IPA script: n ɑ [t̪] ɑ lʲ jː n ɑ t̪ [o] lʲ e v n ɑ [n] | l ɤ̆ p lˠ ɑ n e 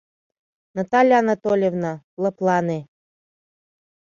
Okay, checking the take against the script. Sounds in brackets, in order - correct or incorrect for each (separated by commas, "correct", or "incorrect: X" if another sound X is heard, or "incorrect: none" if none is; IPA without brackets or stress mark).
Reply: correct, correct, incorrect: none